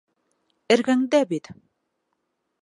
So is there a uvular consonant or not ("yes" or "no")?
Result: no